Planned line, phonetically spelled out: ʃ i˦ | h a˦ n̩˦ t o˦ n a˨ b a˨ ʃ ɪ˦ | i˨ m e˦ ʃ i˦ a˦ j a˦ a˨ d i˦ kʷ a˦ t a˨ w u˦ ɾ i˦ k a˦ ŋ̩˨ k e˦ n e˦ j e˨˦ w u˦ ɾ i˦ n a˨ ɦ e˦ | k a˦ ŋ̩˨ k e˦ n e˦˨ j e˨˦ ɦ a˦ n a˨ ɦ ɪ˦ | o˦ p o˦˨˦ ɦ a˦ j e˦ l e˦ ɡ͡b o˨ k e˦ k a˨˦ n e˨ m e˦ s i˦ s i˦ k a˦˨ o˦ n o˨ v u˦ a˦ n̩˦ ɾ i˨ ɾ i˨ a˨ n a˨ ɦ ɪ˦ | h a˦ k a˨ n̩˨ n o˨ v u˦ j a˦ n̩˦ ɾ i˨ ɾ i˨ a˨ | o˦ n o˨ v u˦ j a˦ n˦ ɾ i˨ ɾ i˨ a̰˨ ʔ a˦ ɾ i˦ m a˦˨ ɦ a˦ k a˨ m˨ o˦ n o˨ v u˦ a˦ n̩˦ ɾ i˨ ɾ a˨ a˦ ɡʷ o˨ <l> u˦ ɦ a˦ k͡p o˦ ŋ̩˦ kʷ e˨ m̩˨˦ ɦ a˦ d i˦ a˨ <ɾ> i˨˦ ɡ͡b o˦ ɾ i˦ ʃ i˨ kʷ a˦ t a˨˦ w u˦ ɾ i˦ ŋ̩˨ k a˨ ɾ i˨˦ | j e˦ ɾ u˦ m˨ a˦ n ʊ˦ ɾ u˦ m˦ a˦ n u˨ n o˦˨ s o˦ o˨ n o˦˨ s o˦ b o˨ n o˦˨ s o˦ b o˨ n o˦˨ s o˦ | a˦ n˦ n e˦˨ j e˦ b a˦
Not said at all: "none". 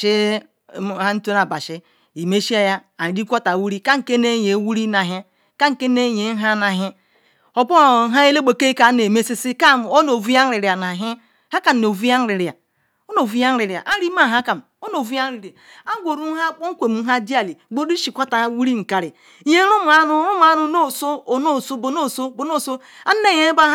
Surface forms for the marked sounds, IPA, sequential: ɾ, l

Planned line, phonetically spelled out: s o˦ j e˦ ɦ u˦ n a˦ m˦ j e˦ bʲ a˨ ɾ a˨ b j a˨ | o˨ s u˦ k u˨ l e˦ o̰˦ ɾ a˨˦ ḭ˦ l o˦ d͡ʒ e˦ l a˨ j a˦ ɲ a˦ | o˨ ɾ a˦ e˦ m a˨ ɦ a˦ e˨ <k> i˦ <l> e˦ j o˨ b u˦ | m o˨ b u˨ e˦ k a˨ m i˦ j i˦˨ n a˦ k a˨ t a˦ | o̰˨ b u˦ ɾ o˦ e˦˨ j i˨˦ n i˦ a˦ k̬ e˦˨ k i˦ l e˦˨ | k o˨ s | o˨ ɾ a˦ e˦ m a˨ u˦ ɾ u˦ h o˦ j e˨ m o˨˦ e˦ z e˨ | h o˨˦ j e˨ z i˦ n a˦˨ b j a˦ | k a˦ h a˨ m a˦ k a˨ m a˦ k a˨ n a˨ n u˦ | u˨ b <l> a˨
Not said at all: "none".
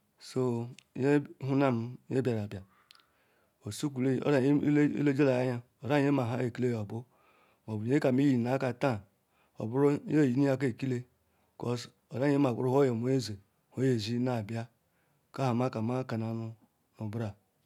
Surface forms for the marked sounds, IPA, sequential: k, l, ɾ

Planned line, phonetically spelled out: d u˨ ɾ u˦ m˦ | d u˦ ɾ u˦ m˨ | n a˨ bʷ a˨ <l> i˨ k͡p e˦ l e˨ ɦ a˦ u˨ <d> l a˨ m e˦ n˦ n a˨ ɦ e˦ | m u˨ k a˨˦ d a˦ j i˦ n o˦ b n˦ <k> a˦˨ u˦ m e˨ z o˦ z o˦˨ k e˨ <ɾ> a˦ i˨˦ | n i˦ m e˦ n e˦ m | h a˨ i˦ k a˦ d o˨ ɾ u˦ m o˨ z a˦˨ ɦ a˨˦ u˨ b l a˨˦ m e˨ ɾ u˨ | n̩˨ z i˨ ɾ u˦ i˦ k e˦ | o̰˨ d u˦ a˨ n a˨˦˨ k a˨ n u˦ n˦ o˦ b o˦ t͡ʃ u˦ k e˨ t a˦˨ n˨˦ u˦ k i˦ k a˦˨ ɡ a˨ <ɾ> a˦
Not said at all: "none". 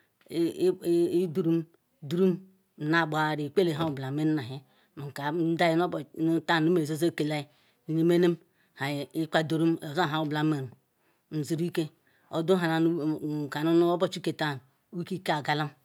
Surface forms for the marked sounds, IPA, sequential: ɾ, b, t, l, l

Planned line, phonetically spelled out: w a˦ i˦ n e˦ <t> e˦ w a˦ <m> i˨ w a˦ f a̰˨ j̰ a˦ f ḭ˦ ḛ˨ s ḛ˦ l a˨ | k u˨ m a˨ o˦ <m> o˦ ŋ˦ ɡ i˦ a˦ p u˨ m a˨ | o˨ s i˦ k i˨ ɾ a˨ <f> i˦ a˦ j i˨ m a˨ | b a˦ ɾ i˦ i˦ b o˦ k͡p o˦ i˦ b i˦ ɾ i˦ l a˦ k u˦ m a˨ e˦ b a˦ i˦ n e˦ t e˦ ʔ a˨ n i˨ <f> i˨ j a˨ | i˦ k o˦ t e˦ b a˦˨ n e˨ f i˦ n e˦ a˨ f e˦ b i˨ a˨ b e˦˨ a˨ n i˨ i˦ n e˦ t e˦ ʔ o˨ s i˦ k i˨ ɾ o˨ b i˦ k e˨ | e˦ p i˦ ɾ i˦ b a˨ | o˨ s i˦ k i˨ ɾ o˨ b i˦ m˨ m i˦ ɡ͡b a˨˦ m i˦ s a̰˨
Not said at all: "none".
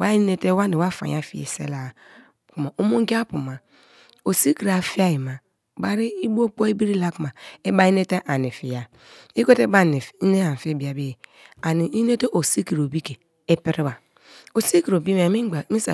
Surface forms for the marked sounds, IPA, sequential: t, n, m, f, f

